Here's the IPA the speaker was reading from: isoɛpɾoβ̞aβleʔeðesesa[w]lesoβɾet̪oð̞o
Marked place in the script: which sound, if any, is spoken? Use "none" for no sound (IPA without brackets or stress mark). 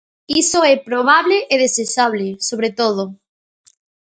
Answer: β